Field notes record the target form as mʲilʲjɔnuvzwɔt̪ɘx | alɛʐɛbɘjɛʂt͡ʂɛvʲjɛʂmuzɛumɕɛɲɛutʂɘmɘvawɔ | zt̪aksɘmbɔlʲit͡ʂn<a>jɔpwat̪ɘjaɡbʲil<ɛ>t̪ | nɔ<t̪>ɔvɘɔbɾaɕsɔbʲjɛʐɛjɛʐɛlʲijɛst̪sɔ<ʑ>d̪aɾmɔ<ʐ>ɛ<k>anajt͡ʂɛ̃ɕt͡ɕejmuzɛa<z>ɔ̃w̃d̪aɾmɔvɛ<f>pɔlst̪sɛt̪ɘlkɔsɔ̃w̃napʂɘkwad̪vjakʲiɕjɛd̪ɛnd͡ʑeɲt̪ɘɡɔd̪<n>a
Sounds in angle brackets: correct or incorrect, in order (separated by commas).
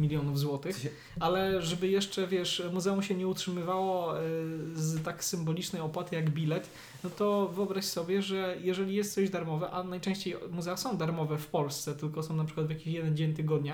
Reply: incorrect, correct, correct, correct, incorrect, incorrect, incorrect, correct, incorrect